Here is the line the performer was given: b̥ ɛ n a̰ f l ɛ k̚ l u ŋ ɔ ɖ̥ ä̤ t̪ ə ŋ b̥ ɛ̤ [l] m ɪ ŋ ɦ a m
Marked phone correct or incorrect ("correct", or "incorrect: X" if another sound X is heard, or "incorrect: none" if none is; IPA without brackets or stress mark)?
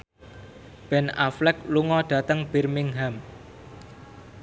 incorrect: r